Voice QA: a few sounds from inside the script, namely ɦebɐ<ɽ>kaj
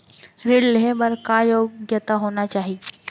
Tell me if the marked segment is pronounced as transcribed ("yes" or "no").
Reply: no